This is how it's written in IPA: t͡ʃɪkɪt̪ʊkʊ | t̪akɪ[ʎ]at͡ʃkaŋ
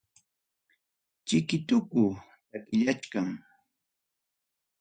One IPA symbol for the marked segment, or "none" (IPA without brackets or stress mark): ʎ